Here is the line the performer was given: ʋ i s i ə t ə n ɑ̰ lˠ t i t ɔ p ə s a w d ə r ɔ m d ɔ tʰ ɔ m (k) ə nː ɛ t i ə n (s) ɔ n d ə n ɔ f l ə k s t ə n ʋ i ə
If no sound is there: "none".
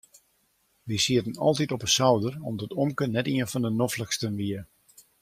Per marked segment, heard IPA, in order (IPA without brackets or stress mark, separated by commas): k, f